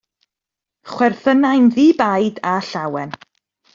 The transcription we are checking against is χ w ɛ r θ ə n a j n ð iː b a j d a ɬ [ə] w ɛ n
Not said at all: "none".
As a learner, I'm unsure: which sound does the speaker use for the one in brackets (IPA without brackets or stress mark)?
a